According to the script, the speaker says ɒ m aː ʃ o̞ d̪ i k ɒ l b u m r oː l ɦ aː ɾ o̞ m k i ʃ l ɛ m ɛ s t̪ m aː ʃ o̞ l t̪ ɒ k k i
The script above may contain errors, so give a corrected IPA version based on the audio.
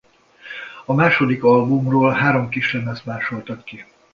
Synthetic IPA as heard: ɒ m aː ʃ o̞ d̪ i k ɒ l b u m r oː l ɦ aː ɾ o̞ m k i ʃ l ɛ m ɛ s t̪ m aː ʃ o̞ l t̪ ɒ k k i